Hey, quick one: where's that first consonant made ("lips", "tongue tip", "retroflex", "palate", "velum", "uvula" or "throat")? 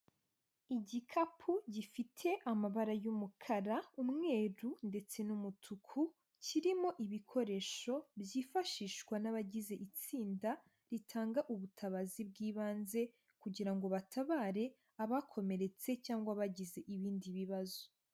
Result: palate